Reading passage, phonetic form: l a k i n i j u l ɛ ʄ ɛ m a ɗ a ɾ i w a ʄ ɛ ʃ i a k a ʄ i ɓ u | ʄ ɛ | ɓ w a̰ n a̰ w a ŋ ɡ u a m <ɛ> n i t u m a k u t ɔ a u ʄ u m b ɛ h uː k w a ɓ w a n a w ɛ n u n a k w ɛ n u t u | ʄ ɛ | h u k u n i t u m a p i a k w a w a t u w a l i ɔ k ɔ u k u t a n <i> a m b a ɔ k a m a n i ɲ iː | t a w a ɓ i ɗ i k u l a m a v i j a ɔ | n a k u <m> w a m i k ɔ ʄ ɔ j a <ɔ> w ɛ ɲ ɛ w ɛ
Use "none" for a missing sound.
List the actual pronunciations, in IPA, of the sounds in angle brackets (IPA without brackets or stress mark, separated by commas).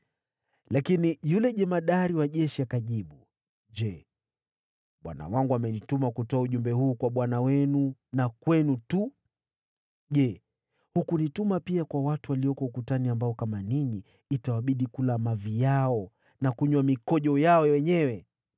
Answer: ɛ, i, ɲ, ɔ